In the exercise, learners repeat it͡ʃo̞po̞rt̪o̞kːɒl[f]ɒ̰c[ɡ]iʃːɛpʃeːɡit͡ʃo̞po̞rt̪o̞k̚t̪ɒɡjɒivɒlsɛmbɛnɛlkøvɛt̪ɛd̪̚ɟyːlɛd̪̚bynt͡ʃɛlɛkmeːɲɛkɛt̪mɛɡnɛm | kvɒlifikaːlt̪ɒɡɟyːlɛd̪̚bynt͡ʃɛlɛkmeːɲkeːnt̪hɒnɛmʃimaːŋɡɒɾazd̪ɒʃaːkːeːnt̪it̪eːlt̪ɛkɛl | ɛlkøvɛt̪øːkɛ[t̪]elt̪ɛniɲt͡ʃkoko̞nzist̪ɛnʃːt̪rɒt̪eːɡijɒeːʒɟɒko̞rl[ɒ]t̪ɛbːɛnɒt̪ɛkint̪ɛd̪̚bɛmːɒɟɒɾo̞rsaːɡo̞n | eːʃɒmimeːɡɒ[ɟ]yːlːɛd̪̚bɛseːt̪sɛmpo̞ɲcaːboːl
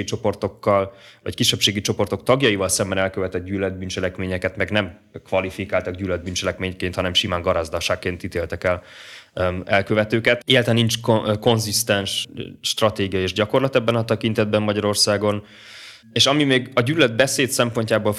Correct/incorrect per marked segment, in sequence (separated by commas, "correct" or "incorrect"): incorrect, incorrect, correct, correct, correct